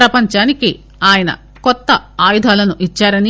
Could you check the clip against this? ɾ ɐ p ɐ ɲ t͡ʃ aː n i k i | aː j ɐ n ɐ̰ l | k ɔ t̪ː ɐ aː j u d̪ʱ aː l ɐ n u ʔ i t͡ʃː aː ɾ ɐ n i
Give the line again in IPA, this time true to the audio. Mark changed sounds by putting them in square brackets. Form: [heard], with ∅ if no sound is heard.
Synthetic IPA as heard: ɾ ɐ p ɐ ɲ t͡ʃ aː n i k i | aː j ɐ n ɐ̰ [∅] | k ɔ t̪ː ɐ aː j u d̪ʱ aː l ɐ n u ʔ i t͡ʃː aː ɾ ɐ n i